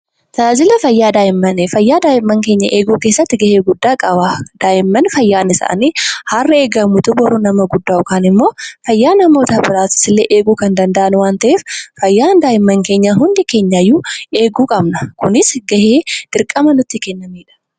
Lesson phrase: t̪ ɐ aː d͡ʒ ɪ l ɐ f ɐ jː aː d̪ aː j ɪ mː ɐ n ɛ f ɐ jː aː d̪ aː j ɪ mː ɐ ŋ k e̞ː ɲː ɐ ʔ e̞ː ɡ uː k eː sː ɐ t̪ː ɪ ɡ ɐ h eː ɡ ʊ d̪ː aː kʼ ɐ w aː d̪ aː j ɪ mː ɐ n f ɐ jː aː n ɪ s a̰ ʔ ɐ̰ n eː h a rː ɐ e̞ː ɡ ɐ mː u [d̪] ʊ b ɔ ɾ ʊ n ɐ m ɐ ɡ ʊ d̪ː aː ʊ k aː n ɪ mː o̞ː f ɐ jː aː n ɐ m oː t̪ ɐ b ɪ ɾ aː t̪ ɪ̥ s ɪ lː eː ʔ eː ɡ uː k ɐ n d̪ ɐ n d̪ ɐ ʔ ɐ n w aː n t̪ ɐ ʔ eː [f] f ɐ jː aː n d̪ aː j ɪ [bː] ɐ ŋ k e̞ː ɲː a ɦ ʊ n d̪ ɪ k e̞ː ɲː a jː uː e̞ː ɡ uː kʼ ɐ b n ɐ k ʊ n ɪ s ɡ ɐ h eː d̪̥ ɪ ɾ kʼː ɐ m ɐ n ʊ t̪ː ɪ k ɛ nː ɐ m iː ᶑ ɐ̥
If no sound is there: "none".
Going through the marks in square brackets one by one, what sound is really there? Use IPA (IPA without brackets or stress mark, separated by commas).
t̪, f, mː